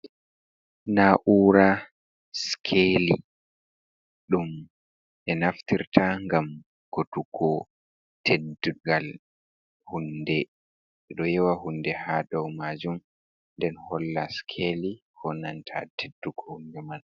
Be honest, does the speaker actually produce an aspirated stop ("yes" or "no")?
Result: yes